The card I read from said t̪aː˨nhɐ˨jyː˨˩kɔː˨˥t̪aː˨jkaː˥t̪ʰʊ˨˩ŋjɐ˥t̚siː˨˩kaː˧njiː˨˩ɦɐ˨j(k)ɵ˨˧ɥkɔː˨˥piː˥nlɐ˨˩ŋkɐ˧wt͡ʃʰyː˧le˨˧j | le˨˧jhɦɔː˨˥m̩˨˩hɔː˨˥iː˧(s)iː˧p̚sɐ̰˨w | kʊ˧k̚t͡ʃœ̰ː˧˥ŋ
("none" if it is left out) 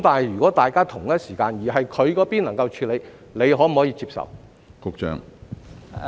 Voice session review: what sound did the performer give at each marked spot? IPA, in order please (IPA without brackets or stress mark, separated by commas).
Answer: kʰ, t͡s